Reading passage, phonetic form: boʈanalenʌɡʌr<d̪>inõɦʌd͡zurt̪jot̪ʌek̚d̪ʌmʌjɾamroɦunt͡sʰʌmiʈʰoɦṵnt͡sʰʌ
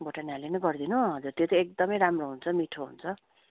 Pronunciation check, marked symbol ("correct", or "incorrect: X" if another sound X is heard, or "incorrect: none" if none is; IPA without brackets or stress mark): correct